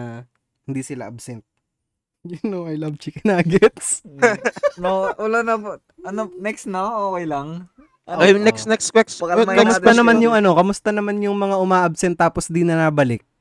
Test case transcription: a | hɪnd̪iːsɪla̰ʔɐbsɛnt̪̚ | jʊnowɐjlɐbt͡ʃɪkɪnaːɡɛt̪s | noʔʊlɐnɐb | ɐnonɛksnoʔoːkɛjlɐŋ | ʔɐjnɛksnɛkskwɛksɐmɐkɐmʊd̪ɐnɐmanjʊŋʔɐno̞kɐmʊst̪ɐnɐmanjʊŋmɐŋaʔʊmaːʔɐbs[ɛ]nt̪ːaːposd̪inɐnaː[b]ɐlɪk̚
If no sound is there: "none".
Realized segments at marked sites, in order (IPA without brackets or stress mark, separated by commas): ɛ, b